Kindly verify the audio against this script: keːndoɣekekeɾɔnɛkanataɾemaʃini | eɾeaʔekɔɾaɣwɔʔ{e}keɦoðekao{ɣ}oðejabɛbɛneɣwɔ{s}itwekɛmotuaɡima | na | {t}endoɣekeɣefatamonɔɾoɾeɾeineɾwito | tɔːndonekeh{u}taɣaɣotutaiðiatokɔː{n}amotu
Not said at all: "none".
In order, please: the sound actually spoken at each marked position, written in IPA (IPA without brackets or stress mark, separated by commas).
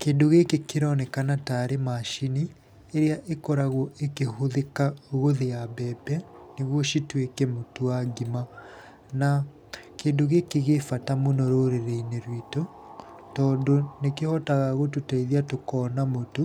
e, ɣ, ʃ, k, ɔ, n